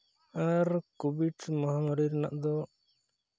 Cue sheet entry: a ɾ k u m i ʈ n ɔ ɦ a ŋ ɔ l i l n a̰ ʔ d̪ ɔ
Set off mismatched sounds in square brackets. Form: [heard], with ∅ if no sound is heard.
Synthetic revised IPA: a ɾ k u [b] i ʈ [m] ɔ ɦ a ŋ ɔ [ɾ] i [ɾ] n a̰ ʔ d̪ ɔ

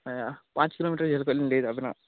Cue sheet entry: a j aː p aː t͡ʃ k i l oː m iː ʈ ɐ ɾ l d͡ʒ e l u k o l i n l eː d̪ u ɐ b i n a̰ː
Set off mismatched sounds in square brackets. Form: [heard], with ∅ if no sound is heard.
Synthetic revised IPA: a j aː p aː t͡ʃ k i l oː m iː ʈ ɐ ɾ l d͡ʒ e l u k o l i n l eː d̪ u ɐ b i n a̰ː

